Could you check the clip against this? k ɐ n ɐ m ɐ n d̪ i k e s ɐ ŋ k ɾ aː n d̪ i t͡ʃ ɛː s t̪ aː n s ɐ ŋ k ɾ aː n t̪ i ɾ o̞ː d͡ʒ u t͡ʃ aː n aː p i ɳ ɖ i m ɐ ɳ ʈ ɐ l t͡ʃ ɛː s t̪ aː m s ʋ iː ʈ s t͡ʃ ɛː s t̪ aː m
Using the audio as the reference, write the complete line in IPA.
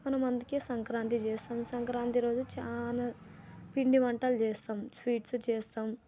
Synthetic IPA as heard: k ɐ n ɐ m ɐ n d̪ i k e s ɐ ŋ k ɾ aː n t̪ i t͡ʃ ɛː s t̪ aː m s ɐ ŋ k ɾ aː n t̪ i ɾ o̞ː d͡ʒ u t͡ʃ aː n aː p i ɳ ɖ i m ɐ ɳ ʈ ɐ l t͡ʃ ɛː s t̪ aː m s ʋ iː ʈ s t͡ʃ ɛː s t̪ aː m